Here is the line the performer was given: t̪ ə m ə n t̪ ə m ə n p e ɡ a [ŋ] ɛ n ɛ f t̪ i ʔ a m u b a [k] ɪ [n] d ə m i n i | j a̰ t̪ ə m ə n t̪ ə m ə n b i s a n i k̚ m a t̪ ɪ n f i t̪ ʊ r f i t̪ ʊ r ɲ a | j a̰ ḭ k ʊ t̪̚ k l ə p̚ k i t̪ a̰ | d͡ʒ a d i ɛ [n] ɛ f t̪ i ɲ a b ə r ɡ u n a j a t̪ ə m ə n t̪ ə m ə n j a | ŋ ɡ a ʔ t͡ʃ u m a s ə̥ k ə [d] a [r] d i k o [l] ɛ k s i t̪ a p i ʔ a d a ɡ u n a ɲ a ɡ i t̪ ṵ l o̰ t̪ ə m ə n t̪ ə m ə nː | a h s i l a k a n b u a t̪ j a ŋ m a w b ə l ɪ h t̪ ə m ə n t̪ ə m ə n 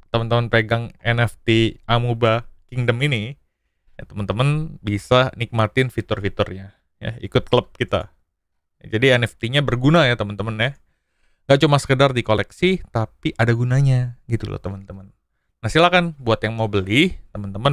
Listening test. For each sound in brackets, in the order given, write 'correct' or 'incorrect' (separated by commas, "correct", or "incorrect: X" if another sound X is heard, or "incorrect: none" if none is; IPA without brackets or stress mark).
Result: correct, correct, incorrect: ŋ, correct, correct, correct, correct